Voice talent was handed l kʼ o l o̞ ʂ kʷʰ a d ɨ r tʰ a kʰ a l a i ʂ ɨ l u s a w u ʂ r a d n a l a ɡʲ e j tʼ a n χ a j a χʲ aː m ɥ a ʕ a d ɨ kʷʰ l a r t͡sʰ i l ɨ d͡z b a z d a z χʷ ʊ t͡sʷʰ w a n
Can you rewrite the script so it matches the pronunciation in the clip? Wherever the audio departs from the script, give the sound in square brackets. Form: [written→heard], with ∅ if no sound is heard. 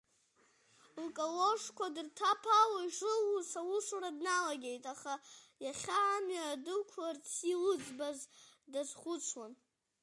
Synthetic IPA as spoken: l kʼ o l o̞ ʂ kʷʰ a d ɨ r tʰ a [kʰ→pʰ] a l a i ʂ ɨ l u s a w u ʂ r a d n a l a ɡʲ e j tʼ a [n→∅] χ a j a χʲ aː m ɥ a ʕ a d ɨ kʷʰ l a r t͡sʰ i l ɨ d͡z b a z d a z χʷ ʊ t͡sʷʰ w a n

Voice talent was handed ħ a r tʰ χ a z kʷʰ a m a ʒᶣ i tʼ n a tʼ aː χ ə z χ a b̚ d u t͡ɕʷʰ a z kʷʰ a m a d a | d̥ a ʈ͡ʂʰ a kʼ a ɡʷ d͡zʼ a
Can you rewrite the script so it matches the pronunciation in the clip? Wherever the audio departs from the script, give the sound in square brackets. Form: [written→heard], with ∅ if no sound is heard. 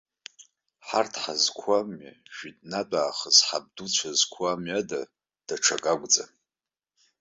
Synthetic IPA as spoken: ħ a r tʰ [χ→ħ] a z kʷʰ a m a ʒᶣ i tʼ n a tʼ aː χ ə z [χ→ħ] a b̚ d u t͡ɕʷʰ a z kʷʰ a m a d a | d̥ a ʈ͡ʂʰ a kʼ a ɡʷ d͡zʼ a

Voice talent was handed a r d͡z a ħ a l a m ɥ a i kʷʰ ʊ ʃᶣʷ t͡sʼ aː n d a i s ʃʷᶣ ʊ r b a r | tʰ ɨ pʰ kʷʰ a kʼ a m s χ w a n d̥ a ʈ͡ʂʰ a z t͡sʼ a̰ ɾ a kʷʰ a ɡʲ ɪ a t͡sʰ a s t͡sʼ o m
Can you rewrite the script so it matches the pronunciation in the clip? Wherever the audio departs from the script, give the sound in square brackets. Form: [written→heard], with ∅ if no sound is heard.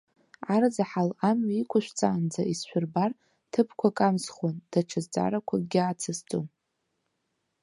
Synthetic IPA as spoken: a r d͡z a ħ a l a m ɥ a i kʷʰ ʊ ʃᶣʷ t͡sʼ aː n [d→d͡z] a i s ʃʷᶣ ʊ r b a r | tʰ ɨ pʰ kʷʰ a kʼ a m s χ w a n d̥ a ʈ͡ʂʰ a z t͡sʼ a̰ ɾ a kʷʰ a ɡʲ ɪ a t͡sʰ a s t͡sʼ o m

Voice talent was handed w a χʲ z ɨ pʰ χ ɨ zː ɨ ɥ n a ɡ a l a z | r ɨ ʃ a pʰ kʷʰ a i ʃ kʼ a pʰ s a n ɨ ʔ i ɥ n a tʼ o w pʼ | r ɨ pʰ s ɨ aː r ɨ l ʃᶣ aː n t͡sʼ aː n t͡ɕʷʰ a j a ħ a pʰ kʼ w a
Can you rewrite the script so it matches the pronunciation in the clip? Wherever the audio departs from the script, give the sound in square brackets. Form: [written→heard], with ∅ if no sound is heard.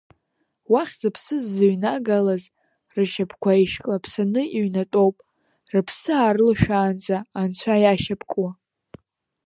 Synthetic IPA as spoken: w a χʲ z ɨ pʰ [χ→s] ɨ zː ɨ ɥ n a ɡ a l a z | r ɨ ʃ a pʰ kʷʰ a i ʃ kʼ a pʰ s a n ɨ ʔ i ɥ n a tʼ o w pʼ | r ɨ pʰ s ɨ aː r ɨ l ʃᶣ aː n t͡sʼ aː n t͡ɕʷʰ a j a [ħ→ʃ] a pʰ kʼ w a

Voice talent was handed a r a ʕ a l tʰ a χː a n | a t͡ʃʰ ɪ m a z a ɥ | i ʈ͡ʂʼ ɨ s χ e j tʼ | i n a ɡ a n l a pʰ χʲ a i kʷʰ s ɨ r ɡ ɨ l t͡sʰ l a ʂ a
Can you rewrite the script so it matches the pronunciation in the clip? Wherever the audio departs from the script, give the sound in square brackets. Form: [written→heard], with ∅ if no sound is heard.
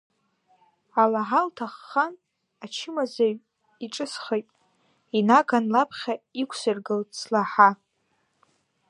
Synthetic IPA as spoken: a [r→l] a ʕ a l tʰ a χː a n | a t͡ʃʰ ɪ m a z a ɥ | i ʈ͡ʂʼ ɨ s χ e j tʼ | i n a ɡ a n l a pʰ χʲ a i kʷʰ s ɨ r ɡ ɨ l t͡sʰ l a [ʂ→ħ] a

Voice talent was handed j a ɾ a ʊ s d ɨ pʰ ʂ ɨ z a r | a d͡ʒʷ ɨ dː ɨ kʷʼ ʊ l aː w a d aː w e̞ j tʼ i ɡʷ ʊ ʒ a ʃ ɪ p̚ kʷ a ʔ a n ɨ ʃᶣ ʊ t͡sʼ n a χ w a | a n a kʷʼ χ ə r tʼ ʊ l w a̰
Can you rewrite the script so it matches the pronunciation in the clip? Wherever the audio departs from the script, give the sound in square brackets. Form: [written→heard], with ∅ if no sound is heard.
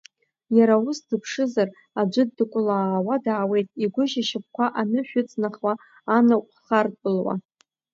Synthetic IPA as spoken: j a ɾ a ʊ s d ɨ pʰ ʂ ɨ z a r | a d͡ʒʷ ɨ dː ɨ kʷʼ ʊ l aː w a d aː w e̞ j tʼ i ɡʷ ʊ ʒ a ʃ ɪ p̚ kʷ a ʔ a n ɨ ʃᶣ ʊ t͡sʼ n a χ w a | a n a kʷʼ χ [ə→a] r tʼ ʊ l w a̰

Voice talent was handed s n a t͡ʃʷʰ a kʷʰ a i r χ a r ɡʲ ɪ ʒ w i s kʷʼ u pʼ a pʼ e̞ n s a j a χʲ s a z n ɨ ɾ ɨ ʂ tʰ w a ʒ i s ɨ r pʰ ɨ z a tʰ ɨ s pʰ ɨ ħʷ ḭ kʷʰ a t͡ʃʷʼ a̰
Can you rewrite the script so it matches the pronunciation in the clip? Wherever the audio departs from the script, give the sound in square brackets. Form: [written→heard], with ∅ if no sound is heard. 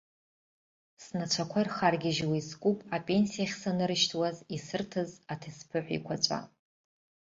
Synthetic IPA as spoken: s n a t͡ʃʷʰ a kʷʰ a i r χ a r ɡʲ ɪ ʒ w i s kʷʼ u pʼ a pʼ e̞ n s [a→i] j a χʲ s a [z→∅] n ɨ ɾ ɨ [ʂ→ʃ] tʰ w a [ʒ→z] i s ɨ r [pʰ→tʰ] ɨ z a tʰ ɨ s pʰ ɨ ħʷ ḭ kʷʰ a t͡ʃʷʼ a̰

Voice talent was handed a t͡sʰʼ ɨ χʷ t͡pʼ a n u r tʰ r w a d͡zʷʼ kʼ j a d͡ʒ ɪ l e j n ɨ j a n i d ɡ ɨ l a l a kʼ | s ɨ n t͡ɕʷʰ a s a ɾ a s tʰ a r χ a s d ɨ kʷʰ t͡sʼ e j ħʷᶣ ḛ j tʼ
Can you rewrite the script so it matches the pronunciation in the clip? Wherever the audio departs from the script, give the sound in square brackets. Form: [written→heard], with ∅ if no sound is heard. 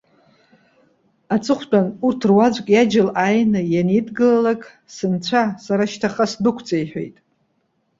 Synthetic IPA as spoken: a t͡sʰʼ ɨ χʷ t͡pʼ a n u r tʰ r w a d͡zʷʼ kʼ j a d͡ʒ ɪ l [e→a] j n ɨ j a n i d ɡ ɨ l a l a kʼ | s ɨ n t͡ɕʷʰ a s a ɾ a [s→ʃ] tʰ a [r→∅] χ a s d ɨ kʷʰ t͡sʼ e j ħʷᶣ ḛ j tʼ

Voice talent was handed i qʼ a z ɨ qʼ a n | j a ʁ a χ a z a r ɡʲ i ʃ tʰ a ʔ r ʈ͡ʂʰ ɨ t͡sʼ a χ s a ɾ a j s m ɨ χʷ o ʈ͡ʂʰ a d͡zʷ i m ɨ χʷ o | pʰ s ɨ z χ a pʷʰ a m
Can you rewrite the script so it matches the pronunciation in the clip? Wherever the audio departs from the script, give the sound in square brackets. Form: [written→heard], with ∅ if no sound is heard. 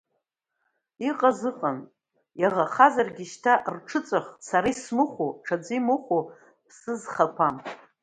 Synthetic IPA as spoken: i qʼ a z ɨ qʼ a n | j a ʁ a χ a z a r ɡʲ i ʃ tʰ a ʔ r ʈ͡ʂʰ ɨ t͡sʼ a χ s a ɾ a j s m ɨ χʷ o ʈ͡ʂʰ a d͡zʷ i m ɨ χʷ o | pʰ s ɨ z χ a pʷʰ a m

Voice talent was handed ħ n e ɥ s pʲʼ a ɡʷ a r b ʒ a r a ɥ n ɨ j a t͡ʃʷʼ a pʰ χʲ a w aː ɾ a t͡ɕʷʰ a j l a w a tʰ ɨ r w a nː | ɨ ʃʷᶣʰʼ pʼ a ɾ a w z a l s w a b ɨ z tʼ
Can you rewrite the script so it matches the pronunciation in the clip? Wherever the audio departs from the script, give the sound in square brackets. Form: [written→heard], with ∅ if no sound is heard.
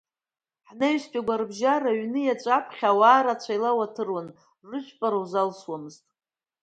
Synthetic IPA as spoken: ħ n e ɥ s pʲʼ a ɡʷ a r b ʒ a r a ɥ n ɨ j a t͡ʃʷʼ a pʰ χʲ a w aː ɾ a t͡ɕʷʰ a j l a w a tʰ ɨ r w a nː | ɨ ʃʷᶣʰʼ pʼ a ɾ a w z a l s w a [b→m] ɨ z tʼ

